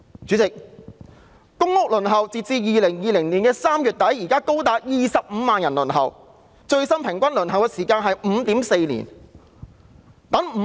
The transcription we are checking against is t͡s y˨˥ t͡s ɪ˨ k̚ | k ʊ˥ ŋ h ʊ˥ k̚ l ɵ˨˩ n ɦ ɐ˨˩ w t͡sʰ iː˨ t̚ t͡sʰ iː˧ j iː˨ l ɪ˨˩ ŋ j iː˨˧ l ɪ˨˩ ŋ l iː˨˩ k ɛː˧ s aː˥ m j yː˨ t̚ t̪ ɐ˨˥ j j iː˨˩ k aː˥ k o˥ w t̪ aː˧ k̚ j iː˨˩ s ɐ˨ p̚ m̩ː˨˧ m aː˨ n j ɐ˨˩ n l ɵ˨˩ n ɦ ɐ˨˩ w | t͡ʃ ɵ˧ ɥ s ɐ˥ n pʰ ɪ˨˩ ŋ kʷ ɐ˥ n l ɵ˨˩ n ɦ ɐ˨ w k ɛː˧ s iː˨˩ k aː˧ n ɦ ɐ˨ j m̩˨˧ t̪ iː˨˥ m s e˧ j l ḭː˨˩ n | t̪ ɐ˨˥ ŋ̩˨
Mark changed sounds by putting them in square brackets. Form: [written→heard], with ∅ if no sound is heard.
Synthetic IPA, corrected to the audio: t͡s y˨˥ t͡s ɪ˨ k̚ | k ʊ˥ ŋ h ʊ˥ k̚ l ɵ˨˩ n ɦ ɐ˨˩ w [t͡sʰ→t͡s] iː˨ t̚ [t͡sʰ→t͡s] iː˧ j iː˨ l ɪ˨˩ ŋ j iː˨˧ l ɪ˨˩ ŋ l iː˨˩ k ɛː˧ s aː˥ m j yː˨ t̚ t̪ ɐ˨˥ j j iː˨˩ k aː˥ k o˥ w t̪ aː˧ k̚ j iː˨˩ s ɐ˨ p̚ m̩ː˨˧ m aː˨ n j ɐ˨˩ n l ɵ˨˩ n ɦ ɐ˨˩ w | t͡ʃ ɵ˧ ɥ s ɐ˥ n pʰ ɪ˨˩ ŋ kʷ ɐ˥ n l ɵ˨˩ n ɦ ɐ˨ w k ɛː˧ s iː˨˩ k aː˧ n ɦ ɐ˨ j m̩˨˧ t̪ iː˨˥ m s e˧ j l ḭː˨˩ n | t̪ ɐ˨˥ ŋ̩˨